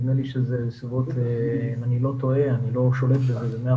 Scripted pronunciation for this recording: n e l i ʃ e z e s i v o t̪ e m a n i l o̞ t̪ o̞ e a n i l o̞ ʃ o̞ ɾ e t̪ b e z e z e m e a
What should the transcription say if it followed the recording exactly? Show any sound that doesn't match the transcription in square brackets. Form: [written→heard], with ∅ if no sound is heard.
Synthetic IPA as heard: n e l i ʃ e z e s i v o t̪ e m a n i l o̞ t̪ o̞ e a n i l o̞ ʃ o̞ [ɾ→l] e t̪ b e z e z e m e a